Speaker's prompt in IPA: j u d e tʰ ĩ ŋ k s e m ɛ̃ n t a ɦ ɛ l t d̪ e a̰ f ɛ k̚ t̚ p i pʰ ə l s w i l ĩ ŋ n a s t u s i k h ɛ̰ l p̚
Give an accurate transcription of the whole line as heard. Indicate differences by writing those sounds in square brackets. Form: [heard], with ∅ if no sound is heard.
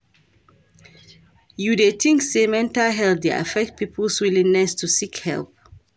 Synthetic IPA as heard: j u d e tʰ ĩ ŋ k s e m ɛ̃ n t a ɦ ɛ l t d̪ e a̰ f ɛ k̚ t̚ p i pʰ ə l s w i l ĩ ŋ n [ɛ] s t u s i k h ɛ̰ l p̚